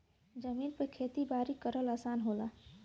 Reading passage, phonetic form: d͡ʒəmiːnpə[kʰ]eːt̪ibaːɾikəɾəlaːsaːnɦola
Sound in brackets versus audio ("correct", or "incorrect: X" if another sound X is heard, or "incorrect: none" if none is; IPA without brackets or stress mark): correct